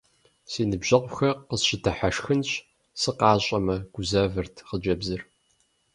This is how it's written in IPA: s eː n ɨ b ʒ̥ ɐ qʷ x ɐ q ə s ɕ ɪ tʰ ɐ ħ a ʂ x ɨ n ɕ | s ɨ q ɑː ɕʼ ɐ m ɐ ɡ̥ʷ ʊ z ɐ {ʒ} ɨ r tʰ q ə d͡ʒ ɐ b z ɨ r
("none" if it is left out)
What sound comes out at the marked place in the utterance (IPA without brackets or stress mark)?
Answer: v